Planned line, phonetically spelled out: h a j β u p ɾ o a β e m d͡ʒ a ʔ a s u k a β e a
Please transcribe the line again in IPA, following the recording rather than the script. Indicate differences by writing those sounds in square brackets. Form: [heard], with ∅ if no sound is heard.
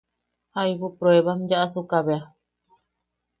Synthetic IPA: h a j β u p ɾ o [e] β [a] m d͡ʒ a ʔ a s u k a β e a